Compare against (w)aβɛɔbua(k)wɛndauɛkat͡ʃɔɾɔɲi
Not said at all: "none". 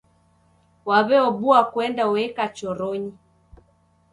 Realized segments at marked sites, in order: w, k

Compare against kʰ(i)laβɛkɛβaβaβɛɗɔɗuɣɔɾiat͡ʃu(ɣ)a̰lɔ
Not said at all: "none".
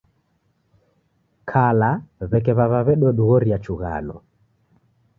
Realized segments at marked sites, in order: a, ɣ

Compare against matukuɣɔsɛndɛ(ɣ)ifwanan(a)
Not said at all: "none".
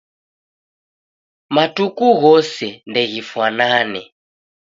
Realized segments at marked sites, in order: ɣ, ɛ

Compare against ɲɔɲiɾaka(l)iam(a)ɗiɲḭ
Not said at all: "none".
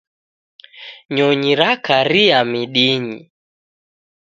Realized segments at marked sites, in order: ɾ, i

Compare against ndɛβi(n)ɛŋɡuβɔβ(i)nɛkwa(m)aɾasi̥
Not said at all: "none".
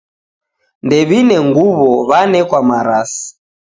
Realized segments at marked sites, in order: n, a, m

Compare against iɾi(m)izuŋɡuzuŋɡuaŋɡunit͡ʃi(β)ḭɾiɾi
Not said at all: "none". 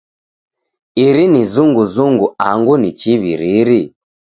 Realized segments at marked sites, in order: n, β

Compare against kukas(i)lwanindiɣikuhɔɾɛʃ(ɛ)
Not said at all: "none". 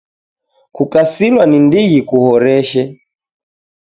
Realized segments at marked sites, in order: i, ɛ

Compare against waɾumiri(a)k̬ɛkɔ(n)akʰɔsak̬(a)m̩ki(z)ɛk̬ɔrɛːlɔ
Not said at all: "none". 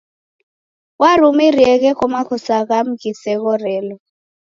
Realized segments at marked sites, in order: ɛ, m, a, s

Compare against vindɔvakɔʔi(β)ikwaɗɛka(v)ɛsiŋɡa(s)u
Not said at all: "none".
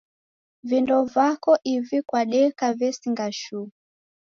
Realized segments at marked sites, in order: v, v, ʃ

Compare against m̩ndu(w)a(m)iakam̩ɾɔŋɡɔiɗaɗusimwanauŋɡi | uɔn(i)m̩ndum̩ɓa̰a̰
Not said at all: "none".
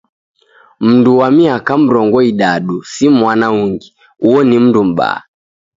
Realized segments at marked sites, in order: w, m, i

